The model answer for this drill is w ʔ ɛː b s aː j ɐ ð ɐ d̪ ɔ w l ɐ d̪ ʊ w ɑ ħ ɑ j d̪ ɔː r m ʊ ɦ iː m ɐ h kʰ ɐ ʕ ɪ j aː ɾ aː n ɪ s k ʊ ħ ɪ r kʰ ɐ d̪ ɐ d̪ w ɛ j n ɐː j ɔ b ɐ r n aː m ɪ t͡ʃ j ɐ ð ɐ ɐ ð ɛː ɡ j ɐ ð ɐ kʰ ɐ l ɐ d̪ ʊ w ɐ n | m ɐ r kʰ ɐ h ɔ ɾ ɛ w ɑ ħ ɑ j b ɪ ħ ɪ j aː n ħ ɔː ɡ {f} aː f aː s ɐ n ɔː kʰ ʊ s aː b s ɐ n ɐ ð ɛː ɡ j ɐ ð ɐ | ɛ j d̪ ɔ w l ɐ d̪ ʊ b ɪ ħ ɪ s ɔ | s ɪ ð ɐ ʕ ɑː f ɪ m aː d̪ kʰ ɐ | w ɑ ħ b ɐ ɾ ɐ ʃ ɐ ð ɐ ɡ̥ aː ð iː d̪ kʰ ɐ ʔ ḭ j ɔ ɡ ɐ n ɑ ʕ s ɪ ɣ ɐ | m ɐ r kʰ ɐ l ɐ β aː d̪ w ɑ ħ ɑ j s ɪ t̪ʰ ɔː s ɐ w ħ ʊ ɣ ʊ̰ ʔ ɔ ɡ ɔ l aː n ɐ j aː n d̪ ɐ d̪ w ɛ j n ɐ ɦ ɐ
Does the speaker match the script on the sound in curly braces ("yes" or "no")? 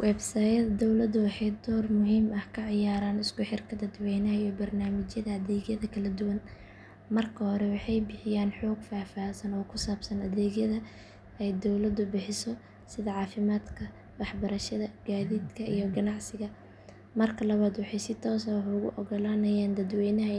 yes